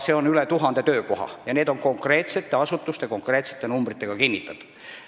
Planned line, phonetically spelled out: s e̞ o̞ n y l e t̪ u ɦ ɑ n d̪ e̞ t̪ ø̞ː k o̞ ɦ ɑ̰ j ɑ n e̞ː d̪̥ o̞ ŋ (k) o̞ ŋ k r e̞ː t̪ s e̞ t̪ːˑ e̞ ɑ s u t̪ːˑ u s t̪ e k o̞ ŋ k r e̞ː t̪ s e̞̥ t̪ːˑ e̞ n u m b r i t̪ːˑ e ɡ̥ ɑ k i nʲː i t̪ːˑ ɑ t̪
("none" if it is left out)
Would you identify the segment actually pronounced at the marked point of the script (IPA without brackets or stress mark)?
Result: k